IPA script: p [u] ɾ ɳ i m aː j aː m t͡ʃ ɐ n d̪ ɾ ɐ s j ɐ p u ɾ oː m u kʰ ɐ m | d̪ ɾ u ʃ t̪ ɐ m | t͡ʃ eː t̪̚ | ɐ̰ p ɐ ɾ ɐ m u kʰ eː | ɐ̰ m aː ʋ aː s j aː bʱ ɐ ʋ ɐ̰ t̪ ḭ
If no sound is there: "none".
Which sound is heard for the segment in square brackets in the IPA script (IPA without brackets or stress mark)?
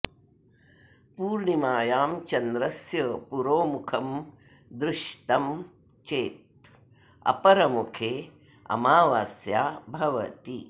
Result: uː